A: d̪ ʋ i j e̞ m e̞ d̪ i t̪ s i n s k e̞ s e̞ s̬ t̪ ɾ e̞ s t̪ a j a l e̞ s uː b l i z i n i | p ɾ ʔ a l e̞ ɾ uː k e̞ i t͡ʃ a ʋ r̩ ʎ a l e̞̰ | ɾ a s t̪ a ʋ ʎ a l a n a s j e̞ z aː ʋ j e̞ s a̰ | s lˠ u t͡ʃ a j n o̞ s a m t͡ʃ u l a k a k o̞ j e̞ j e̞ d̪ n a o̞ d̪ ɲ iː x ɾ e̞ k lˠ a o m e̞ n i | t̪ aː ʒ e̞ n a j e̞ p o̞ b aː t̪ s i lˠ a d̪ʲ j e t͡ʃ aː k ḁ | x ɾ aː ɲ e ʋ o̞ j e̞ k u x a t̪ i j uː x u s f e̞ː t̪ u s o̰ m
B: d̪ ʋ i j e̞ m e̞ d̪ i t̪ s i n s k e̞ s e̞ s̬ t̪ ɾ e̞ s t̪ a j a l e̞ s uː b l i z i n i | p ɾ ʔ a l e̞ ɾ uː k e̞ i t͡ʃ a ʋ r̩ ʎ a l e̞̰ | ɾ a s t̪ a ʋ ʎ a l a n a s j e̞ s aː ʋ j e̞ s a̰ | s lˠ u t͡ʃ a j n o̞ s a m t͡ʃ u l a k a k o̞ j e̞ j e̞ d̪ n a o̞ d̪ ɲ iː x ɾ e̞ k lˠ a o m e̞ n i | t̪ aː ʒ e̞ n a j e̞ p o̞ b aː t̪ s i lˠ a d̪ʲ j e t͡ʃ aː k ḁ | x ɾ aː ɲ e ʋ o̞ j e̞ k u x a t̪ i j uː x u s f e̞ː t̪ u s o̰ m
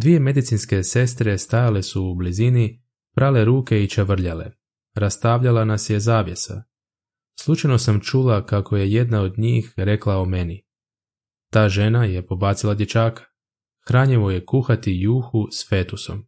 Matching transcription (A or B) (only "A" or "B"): A